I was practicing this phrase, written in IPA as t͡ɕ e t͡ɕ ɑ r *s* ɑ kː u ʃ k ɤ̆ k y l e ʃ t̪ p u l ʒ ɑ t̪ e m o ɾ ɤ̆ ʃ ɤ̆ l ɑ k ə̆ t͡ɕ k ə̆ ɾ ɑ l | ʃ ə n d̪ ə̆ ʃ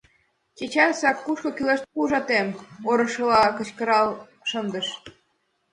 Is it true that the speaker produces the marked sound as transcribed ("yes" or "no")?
yes